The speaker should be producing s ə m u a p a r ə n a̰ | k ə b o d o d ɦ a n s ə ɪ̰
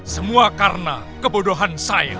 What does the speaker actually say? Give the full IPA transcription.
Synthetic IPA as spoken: s ə m u a k a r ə n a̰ | k ə b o d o ɦ a n s a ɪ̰